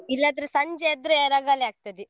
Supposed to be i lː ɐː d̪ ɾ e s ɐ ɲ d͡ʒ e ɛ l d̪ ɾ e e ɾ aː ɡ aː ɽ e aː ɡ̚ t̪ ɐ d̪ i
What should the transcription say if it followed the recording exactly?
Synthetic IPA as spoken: i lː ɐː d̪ ɾ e s ɐ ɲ d͡ʒ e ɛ d̪ ɾ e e ɾ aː ɡ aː l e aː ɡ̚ t̪ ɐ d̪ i